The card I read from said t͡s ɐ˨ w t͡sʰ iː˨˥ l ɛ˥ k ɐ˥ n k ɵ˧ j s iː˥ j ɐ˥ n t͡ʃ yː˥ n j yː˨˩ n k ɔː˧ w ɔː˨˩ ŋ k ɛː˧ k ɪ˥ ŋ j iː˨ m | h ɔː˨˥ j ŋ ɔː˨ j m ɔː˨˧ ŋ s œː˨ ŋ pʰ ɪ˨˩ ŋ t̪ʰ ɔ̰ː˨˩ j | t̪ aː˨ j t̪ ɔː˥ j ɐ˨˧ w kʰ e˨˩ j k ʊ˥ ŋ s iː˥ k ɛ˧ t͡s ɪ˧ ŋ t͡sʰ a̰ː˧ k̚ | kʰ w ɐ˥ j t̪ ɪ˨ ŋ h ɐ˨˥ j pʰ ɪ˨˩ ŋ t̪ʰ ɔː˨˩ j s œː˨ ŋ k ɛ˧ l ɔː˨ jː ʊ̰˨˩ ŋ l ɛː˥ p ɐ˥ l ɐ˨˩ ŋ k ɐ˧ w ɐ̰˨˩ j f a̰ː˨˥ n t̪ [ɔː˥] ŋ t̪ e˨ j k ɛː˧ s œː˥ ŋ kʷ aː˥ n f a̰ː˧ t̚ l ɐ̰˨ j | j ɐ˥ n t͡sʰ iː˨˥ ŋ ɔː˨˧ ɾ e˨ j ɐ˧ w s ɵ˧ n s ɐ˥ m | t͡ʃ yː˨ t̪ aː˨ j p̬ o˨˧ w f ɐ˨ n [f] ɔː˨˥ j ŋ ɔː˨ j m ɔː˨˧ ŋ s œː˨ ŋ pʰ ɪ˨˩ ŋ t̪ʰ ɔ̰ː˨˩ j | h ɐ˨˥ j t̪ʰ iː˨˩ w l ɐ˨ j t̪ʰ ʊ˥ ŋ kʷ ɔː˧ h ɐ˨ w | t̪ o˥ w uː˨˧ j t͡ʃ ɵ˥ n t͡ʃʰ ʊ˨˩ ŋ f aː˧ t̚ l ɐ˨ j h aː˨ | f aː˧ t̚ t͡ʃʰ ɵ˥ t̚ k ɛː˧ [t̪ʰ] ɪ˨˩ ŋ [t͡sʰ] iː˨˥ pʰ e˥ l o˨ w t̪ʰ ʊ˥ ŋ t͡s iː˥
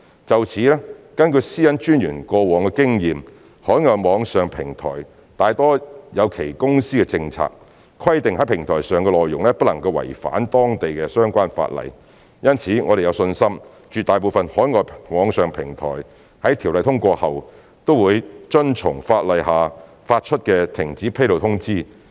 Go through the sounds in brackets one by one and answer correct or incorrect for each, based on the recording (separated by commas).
correct, incorrect, correct, incorrect